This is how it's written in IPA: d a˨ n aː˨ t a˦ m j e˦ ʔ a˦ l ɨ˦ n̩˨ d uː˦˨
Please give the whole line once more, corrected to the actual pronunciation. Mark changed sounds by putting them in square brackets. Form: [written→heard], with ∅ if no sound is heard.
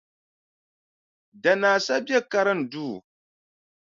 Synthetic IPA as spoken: d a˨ n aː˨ [t→s] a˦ [m→b] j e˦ [ʔ→k] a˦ [l→ɾ] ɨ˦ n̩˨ d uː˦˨